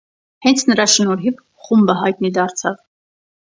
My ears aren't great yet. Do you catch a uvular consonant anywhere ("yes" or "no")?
yes